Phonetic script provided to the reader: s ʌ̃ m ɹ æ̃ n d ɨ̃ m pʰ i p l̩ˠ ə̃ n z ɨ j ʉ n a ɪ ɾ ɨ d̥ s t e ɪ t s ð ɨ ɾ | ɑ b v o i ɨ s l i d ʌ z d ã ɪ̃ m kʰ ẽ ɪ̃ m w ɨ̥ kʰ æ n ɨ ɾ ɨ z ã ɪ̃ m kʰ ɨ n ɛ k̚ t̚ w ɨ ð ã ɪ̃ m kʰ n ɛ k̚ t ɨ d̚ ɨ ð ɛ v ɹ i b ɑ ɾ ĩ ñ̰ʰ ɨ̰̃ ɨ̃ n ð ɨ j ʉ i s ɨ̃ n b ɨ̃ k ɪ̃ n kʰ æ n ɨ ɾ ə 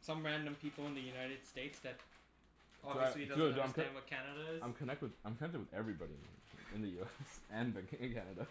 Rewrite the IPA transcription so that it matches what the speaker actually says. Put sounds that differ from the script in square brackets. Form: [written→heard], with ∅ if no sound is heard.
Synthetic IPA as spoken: s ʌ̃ m ɹ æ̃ n d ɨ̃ m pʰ i p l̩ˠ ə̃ n [z→ð] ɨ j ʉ n a ɪ ɾ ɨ d̥ s t e ɪ t s ð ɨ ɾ | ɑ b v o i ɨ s l i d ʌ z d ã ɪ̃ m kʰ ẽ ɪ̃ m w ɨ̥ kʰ æ n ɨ ɾ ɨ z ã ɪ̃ m kʰ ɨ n ɛ k̚ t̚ w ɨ ð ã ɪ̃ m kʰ n ɛ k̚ t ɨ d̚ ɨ ð ɛ v ɹ i b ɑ ɾ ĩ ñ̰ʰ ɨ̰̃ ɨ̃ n ð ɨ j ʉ [i→ɛ] s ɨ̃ n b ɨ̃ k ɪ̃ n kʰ æ n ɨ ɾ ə